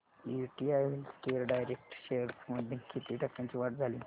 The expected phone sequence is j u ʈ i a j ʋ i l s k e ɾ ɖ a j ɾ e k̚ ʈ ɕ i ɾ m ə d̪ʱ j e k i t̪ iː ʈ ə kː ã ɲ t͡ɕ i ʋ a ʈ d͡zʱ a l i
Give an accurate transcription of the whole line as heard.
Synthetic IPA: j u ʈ i a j ʋ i l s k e ɾ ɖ a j ɾ e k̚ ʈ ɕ e ɾ m ə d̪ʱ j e k i t̪ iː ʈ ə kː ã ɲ t͡ɕ i ʋ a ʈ d͡zʱ a l i